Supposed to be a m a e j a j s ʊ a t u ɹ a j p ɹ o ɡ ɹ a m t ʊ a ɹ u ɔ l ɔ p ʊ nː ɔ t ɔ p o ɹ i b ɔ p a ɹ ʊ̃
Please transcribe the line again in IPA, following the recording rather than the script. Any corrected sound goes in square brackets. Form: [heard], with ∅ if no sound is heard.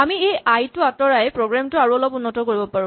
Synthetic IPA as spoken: a m [i] e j a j [t] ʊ a t [ɔ] ɹ a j p ɹ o ɡ ɹ a m t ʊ a ɹ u ɔ l ɔ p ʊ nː ɔ t ɔ [k] o ɹ i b ɔ p a ɹ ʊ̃